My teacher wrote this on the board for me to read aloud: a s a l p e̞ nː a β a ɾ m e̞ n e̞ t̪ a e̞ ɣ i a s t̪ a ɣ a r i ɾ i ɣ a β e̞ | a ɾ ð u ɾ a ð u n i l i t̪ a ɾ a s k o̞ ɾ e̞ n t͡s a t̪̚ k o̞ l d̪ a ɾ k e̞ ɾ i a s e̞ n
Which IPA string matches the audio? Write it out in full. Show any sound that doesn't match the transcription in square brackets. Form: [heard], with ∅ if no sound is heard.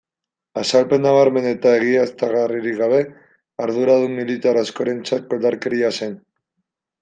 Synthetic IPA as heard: a s a l p e̞ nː a β a ɾ m e̞ n e̞ t̪ a e̞ ɣ i a s t̪ a ɣ a r i ɾ i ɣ a β e̞ | a ɾ ð u ɾ a ð u [m] i l i t̪ a ɾ a s k o̞ ɾ e̞ n t͡s a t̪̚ k o̞ l d̪ a ɾ k e̞ ɾ i a s e̞ n